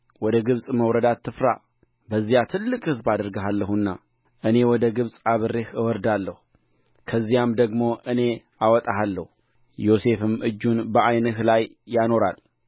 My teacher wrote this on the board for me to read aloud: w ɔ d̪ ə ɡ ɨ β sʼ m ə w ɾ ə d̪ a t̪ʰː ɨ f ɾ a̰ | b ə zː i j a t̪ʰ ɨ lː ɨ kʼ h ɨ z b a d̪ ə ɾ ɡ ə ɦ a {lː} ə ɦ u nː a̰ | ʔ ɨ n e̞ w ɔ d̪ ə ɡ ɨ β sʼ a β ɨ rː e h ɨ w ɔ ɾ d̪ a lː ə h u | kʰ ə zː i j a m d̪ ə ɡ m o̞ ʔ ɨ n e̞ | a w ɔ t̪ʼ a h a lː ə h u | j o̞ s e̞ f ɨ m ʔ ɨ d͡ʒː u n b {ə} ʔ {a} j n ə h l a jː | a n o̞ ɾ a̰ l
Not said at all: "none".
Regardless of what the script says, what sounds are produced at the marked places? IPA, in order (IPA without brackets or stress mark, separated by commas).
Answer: lː, ə, a